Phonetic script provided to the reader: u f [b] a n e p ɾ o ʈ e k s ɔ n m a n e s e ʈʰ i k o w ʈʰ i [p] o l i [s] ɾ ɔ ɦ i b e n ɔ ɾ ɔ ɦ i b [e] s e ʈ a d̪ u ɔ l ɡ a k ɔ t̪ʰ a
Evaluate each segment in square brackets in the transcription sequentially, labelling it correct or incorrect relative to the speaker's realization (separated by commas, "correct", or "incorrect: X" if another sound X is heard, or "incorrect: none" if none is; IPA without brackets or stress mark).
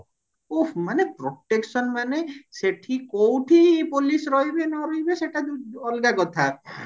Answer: incorrect: m, correct, correct, correct